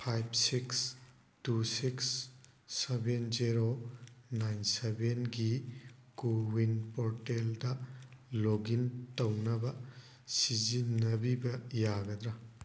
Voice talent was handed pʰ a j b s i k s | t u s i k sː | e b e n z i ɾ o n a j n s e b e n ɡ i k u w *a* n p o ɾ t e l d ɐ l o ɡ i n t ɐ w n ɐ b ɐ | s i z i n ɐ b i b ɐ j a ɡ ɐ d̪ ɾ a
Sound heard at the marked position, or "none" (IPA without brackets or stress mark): i